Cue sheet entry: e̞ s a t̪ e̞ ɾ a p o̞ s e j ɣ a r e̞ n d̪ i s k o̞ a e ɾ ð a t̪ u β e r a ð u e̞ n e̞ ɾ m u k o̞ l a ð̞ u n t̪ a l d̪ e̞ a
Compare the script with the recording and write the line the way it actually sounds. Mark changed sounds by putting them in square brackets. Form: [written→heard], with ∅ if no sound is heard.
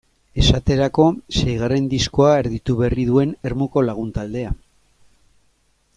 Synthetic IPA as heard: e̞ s a t̪ e̞ ɾ a [p→k] o̞ s e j ɣ a r e̞ n d̪ i s k o̞ a e ɾ ð [a→i] t̪ u β e r [a→i] ð u e̞ n e̞ ɾ m u k o̞ l a [ð̞→ɣ̞] u n t̪ a l d̪ e̞ a